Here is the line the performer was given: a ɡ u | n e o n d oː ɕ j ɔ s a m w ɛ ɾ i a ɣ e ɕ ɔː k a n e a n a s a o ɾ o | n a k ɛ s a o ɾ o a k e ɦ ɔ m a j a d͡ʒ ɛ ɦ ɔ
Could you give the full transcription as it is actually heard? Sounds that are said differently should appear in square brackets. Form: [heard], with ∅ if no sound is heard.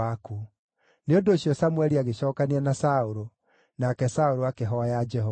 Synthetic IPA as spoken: a [k] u | n e o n d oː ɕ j ɔ s a m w ɛ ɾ i a ɣ e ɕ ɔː k a n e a n a s a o ɾ o | n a k ɛ s a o ɾ o a k e ɦ ɔ [∅] a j a d͡ʒ ɛ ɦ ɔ